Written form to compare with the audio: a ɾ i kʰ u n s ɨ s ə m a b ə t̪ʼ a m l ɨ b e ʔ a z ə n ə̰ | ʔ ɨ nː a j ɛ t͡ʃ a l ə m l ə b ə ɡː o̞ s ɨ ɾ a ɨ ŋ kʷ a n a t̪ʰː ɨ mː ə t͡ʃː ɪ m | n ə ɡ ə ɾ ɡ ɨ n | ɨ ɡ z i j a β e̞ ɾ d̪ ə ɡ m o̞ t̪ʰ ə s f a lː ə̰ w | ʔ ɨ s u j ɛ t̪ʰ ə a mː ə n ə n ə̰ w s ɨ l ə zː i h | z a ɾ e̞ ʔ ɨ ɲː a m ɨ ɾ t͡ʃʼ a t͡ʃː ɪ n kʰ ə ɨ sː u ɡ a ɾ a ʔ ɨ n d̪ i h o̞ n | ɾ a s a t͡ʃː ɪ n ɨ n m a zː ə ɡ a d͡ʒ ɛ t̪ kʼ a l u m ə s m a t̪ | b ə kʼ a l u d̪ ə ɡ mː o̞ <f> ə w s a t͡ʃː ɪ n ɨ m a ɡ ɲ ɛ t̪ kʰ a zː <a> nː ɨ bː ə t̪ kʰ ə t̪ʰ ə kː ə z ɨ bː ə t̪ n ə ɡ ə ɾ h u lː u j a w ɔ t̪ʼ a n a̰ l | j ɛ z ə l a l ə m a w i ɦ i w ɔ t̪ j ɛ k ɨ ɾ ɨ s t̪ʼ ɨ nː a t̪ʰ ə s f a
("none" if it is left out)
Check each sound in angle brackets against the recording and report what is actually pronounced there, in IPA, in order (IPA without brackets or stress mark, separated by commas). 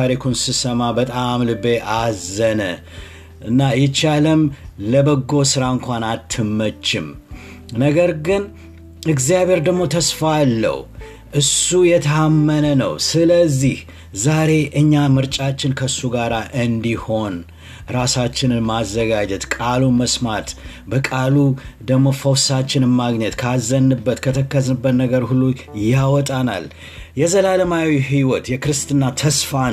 f, ə